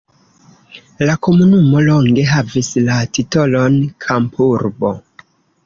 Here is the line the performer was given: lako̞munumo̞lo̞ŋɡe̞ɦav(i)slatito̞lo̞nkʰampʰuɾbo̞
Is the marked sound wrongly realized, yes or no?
no